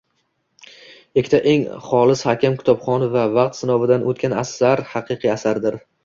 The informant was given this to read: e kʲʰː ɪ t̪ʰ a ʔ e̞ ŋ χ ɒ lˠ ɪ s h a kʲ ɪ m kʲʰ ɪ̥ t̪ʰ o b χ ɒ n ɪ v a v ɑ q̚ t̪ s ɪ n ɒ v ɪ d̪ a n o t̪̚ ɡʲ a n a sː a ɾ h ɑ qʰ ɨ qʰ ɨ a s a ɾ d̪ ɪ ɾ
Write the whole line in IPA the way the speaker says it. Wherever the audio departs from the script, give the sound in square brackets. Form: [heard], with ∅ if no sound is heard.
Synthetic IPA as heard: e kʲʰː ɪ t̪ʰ a ʔ e̞ ŋ χ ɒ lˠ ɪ s h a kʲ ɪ m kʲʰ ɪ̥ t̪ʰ [ɒ] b χ ɒ n ɪ v a v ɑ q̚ t̪ s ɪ n ɒ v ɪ d̪ a n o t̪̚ [kʲ] a n a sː a ɾ h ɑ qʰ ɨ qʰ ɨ a s a ɾ d̪ ɪ ɾ